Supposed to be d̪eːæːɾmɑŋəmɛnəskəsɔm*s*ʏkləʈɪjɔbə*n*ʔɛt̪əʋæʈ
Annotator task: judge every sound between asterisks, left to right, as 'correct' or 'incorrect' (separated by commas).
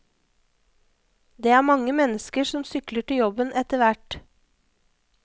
correct, correct